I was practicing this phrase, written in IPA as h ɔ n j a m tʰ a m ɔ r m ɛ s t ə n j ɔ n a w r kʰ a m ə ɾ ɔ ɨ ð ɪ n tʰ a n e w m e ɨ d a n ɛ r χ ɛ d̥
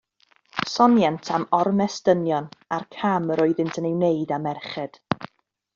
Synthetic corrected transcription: s ɔ n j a n tʰ a m ɔ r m ɛ s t ə n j ɔ n a r kʰ a m ə ɾ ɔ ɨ ð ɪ n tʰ ə n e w n e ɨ d a m ɛ r χ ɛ d̥